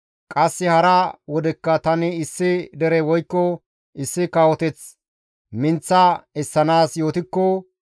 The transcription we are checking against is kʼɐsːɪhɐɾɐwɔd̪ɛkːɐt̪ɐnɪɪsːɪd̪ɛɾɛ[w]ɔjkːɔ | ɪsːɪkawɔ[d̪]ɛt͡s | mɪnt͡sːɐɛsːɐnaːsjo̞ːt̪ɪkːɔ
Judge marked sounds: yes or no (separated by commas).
yes, no